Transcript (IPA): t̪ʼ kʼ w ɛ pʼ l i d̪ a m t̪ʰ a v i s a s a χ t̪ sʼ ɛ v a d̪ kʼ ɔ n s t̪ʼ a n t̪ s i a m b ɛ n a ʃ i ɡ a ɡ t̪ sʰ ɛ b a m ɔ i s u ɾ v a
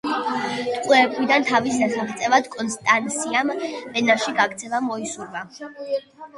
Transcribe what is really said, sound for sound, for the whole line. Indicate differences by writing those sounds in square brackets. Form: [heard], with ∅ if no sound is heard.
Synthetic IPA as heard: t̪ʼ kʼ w ɛ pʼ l i d̪ a [n] t̪ʰ a v i s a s a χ t̪ sʼ ɛ v a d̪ kʼ ɔ n s t̪ʼ a n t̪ s i a m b ɛ n a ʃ i ɡ a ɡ t̪ sʰ ɛ [v] a m ɔ i s u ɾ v a